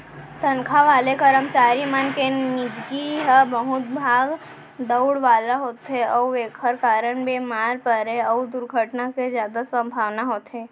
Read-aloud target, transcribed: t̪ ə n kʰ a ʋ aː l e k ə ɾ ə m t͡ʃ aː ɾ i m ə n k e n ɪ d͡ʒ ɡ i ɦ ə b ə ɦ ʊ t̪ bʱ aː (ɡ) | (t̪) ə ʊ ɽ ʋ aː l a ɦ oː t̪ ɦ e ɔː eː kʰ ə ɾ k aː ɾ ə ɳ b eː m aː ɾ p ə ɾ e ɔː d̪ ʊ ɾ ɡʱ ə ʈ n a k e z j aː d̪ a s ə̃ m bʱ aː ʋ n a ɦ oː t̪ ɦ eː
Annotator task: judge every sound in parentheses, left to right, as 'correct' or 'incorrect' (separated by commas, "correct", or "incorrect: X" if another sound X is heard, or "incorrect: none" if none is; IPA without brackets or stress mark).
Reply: correct, incorrect: d̪